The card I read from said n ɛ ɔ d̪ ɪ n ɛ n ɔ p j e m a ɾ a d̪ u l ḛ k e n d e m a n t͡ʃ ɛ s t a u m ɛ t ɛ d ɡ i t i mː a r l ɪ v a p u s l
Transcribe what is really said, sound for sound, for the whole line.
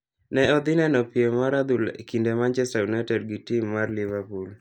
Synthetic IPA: n ɛ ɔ d̪ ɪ n ɛ n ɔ p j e m a ɾ a d̪ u l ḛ k i n d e m a n t͡ʃ ɛ s t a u n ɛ t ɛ d ɡ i t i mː a r l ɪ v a p u l